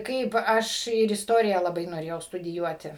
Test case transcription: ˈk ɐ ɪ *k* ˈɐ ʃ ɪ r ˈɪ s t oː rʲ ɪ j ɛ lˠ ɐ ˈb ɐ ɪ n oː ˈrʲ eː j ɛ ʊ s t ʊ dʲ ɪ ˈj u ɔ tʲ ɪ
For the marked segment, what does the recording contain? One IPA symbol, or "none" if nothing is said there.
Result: p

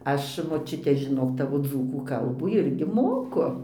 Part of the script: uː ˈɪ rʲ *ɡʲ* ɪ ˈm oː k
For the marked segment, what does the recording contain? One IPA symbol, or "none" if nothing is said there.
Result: ɡʲ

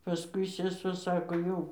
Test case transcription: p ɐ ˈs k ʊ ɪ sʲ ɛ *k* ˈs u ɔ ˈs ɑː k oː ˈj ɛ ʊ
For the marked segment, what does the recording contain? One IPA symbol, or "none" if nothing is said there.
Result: none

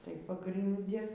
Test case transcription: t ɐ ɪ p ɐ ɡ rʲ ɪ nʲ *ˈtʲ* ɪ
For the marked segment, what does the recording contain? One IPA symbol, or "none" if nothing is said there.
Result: dʲ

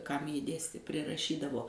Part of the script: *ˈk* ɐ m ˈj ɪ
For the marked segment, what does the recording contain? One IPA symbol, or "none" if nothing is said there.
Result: k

